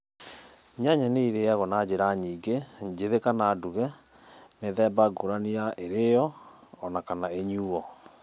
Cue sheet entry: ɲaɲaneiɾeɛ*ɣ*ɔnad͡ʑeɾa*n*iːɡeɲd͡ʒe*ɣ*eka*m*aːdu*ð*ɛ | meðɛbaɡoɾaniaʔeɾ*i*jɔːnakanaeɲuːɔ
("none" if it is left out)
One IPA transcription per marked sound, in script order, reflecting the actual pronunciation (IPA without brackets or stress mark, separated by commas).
ɣ, ɲ, ð, n, ɣ, e